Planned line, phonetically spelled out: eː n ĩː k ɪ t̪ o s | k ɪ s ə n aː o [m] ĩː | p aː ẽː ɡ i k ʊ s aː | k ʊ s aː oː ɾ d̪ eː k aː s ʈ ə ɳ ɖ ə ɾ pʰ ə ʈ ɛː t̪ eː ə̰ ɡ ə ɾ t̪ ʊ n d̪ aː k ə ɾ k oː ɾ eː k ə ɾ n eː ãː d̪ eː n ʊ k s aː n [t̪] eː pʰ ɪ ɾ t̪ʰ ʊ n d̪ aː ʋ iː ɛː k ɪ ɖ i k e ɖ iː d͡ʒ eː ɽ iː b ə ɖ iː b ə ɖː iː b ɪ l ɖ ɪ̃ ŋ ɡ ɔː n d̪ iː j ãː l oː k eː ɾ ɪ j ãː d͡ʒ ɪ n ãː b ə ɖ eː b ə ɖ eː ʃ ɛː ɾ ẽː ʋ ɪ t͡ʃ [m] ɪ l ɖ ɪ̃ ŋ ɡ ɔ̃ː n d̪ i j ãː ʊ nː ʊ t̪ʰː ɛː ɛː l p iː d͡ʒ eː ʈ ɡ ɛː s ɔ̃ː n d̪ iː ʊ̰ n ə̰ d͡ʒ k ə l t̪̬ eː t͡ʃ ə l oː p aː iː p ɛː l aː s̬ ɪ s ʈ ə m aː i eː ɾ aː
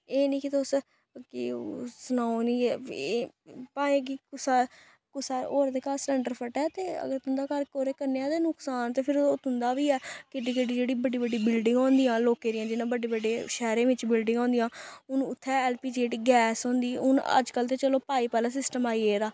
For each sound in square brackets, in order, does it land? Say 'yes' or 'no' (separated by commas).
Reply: no, yes, no